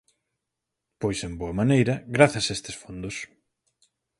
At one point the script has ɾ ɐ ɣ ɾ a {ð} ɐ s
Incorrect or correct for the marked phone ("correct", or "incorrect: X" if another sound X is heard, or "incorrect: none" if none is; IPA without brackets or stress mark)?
incorrect: θ